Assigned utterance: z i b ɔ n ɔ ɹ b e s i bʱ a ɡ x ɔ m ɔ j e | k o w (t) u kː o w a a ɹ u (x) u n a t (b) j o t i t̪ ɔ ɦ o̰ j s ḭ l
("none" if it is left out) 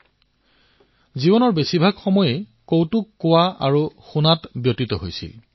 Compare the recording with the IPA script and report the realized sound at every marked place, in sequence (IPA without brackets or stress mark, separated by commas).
t, x, b